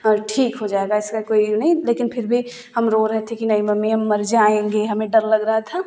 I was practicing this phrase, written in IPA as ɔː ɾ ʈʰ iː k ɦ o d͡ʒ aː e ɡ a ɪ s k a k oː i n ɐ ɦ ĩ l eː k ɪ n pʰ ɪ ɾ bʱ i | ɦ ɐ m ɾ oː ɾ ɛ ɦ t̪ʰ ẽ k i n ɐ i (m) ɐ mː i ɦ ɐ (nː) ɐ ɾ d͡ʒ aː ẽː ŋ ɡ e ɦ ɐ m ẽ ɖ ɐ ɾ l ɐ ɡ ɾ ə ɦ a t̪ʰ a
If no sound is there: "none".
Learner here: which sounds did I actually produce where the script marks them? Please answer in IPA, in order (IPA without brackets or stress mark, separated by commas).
m, mː